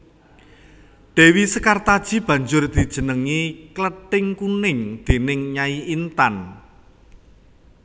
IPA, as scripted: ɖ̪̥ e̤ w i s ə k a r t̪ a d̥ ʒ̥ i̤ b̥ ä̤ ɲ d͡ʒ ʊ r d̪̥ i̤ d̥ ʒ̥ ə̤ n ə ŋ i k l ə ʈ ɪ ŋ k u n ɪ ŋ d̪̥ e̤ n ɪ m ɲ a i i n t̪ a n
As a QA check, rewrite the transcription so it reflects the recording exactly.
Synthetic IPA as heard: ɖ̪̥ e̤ w i s ə k a r t̪ a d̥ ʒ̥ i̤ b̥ ä̤ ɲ d͡ʒ ʊ r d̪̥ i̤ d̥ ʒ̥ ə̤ n ə ŋ i k l ə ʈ ɪ ŋ k u n ɪ ŋ d̪̥ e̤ n ɪ ŋ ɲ a i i n t̪ a n

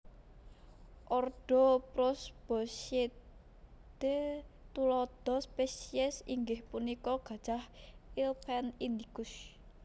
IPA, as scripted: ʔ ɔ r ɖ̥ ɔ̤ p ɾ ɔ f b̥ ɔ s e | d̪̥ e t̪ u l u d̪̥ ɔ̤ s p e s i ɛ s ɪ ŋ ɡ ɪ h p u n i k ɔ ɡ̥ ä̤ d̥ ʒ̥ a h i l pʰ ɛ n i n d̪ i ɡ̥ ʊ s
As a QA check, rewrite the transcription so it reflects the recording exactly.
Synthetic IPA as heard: ʔ ɔ r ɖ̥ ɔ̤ p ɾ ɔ s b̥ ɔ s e | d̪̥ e t̪ u l ɔ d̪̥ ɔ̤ s p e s i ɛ s i ŋ ɡ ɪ h p u n i k ɔ ɡ̥ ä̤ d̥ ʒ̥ a h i l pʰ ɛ n i n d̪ i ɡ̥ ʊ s

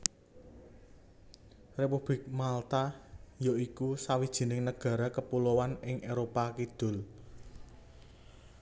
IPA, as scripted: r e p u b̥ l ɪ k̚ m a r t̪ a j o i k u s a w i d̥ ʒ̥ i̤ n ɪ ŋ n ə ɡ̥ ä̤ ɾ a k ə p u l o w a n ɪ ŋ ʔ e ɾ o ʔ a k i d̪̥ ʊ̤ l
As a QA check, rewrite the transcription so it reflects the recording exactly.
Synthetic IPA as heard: r e p u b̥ l ɪ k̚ m a l t̪ a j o i k u s a w i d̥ ʒ̥ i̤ n ɪ ŋ n ə ɡ̥ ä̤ ɾ a k ə p u l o w a n ɪ ŋ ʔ e ɾ o p a k i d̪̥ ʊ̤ l

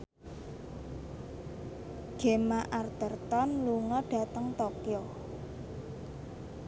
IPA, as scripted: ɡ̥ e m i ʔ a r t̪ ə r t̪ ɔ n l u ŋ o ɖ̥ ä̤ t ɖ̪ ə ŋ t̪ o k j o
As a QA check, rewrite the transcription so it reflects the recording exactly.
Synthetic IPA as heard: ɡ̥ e m a ʔ a r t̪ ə r t̪ ɔ n l u ŋ ɔ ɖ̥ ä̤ t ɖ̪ ə ŋ t̪ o k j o

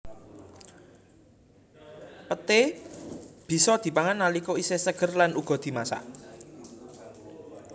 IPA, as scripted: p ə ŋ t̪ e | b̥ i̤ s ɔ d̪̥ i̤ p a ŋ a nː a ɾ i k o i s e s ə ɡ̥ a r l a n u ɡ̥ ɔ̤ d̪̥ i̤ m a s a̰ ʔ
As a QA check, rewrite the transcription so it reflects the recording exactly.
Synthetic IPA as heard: p ə t̪ e | b̥ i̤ s ɔ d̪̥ i̤ p a ŋ a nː a l i k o i s e s ə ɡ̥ ə r l a n u ɡ̥ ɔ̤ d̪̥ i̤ m a s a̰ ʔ

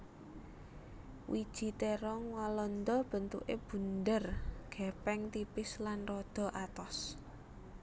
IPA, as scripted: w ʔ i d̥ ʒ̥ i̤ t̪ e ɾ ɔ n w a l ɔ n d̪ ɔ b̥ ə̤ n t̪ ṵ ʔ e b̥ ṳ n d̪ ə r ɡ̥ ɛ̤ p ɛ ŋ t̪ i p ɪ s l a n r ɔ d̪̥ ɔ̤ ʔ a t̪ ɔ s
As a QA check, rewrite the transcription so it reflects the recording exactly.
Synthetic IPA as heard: w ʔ i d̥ ʒ̥ i̤ t̪ e ɾ ɔ ŋ w a l ɔ n d̪ ɔ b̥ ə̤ n t̪ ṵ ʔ e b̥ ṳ n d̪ ə r ɡ̥ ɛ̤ p ɛ ŋ t̪ i p ɪ s l a n r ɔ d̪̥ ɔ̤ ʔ a t̪ ɔ s

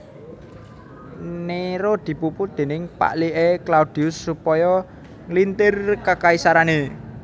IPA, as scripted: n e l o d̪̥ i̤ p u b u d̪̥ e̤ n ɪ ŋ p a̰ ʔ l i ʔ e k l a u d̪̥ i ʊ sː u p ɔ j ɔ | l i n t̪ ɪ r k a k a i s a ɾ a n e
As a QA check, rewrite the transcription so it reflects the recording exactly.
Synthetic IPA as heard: n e ɾ o d̪̥ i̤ p u p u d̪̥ e̤ n ɪ ŋ p a̰ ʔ l i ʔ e k l a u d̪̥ i ʊ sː u p ɔ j ɔ | l i n t̪ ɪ r k a k a i s a ɾ a n e

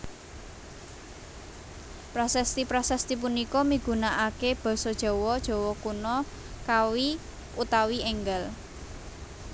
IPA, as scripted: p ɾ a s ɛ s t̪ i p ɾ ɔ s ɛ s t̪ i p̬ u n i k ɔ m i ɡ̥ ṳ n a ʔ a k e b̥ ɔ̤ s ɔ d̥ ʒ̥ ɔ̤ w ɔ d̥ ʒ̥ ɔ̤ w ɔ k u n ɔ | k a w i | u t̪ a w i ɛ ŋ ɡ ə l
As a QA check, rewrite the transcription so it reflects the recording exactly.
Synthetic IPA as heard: p ɾ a s ɛ s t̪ i p ɾ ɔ s ɛ s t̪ i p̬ u n i k ɔ m i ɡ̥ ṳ n a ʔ a k e b̥ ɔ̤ s ɔ d̥ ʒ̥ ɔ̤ w ɔ d̥ ʒ̥ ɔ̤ w ɔ k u n ɔ | k a w i | u t̪ a w i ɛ ŋ ɡ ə l

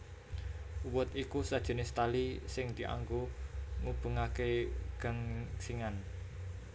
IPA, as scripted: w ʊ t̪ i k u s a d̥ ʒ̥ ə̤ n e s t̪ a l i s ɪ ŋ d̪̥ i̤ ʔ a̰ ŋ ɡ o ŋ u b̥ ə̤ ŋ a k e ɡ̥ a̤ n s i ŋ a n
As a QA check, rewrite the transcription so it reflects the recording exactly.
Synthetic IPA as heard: w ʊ t̪ i k u s a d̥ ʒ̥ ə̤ n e s t̪ a l i s ɪ ŋ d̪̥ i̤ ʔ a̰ ŋ ɡ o ŋ u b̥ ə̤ ŋ a k e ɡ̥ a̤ ŋ s i ŋ a n

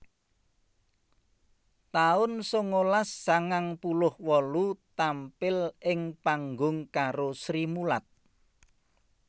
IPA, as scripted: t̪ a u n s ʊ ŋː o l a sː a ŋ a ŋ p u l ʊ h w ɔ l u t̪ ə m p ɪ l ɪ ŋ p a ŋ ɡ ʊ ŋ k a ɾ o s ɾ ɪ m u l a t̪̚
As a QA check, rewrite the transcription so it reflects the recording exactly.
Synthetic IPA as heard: t̪ a ʊ n s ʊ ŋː o l a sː a ŋ a ŋ p u l ʊ h w ɔ l u t̪ a m p ɪ l ɪ ŋ p a ŋ ɡ ʊ ŋ k a ɾ o s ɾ i m u l a t̪̚

